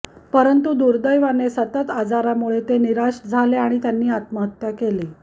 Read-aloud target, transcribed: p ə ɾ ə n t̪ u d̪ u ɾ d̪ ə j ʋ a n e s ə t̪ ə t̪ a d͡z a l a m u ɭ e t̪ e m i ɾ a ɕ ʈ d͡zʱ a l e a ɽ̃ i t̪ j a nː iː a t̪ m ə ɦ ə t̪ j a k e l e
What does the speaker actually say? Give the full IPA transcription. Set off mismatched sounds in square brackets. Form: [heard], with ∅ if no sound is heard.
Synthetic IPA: p ə ɾ ə n t̪ u d̪ u ɾ d̪ ə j ʋ a n e s ə t̪ ə t̪ a d͡z a [ɾ] a m u ɭ e t̪ e [n] i ɾ a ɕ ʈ d͡zʱ a l e a ɽ̃ i t̪ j a nː iː a t̪ m ə ɦ ə t̪ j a k e l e